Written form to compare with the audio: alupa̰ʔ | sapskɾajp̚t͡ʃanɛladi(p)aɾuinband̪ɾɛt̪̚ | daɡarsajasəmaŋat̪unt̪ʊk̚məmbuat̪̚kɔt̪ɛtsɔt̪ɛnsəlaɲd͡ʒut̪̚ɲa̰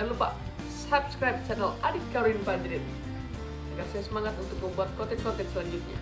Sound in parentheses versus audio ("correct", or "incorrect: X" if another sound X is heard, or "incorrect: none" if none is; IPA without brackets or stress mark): incorrect: k